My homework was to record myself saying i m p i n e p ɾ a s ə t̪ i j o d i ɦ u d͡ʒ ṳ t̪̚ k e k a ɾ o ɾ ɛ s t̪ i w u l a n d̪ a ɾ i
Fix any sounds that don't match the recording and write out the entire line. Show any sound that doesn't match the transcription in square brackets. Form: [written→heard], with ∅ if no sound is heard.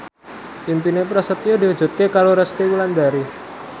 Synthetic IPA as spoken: i m p i n e p ɾ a s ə t̪ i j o d i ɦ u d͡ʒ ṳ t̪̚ k e k a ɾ o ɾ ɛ s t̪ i w u l a n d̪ a ɾ i